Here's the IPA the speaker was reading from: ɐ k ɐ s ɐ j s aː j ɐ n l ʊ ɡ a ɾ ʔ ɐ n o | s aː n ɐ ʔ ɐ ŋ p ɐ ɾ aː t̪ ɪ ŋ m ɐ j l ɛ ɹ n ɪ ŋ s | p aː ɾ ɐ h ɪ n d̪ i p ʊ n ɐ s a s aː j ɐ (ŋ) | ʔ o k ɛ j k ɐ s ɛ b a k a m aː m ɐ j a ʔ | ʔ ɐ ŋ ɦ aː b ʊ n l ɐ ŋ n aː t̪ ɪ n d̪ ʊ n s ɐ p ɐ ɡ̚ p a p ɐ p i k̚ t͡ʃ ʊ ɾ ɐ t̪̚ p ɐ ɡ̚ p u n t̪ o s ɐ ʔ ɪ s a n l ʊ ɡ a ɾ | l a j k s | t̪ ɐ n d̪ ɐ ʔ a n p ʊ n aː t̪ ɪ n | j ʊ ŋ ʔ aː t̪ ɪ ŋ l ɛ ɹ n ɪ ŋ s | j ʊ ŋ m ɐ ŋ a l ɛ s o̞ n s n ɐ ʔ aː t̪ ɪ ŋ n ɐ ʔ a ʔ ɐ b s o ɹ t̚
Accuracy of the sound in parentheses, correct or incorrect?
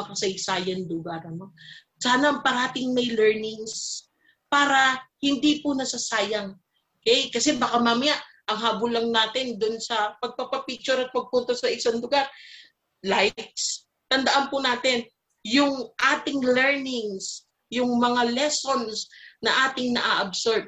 correct